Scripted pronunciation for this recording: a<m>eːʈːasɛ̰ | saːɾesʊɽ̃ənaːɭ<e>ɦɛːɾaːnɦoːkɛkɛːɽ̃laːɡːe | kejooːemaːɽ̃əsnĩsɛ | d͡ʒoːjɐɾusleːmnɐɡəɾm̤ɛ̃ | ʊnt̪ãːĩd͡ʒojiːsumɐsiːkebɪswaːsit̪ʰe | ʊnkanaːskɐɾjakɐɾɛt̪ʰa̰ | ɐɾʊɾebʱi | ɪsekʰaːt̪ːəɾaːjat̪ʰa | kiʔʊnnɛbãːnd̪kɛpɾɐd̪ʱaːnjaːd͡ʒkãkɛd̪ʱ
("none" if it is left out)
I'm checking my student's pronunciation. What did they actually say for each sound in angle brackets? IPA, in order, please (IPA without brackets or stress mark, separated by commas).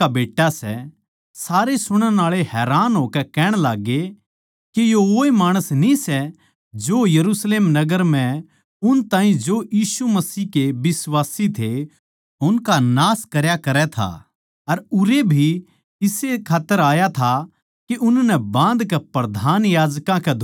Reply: b, e